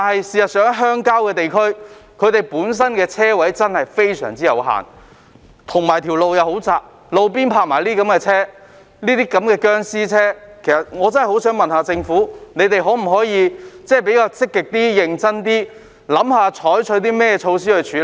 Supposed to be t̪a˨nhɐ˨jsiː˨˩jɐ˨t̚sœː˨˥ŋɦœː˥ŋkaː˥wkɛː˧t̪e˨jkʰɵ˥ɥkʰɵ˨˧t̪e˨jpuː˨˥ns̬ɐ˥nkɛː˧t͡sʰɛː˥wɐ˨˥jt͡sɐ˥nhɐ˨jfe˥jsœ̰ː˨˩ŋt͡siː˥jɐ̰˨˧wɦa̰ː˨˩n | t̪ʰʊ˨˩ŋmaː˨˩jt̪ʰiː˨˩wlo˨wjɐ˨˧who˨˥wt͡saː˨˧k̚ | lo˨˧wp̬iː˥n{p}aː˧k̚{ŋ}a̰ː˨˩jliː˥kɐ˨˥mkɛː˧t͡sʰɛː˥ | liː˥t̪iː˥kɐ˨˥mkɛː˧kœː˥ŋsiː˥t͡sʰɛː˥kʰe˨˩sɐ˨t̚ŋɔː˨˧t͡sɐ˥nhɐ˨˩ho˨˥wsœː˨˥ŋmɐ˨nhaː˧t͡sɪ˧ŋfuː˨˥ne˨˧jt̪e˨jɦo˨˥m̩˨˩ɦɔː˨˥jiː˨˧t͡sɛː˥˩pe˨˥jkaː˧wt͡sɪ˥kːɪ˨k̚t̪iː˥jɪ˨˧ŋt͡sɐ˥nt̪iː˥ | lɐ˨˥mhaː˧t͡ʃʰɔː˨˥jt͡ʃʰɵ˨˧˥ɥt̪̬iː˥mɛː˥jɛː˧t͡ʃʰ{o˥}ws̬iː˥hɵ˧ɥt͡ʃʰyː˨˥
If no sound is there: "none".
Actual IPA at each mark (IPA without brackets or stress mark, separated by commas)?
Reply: pʰ, m, o˧